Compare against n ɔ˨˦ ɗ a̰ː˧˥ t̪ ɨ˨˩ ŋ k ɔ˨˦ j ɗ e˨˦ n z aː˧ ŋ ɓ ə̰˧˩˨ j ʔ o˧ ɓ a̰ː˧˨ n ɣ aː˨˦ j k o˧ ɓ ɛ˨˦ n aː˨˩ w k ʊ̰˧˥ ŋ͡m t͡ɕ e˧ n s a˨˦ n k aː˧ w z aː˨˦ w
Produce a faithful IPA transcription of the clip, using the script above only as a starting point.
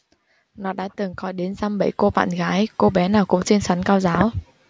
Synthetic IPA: n ɔ˨˦ ɗ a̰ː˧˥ t̪ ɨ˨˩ ŋ k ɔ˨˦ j ɗ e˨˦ n z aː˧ m ɓ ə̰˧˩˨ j k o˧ ɓ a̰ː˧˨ n ɣ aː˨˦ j k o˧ ɓ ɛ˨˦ n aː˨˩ w k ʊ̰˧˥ ŋ͡m t͡ɕ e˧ n s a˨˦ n k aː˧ w z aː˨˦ w